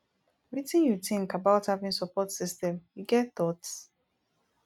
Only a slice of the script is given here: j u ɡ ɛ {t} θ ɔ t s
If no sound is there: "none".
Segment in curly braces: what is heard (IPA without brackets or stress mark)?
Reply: t